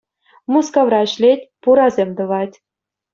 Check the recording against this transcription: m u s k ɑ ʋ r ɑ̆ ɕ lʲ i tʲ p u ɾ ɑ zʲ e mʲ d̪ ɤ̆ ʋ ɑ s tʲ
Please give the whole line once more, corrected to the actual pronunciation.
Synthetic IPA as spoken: m u s k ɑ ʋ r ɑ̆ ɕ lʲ e tʲ p u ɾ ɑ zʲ e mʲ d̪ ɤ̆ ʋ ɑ tʲ

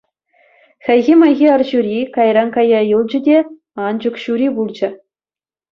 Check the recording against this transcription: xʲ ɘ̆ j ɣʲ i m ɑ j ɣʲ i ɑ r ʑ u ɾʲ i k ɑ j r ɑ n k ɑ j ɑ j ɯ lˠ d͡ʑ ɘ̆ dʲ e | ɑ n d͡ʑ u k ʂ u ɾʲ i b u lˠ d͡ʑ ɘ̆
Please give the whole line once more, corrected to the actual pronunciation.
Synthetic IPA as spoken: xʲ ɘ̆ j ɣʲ i m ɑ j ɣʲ i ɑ r ʑ u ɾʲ i k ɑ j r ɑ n k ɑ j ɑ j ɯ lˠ d͡ʑ ɘ̆ dʲ e | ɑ n d͡ʑ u k ɕ u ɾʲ i b u lˠ d͡ʑ ɘ̆

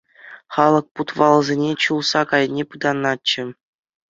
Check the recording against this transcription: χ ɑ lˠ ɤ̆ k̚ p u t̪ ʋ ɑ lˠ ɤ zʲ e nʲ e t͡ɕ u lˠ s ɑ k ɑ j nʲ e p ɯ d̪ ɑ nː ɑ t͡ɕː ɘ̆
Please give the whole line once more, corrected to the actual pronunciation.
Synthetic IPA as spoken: χ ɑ lˠ ɤ̆ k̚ p u t̪ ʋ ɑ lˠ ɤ zʲ e nʲ e t͡ɕ u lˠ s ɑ k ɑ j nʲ e p ɯ d̪ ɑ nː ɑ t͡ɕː ɘ̆

